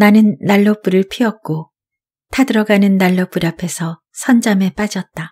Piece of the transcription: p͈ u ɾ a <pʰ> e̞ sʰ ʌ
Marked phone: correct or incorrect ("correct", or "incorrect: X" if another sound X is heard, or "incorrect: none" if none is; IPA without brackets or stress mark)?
correct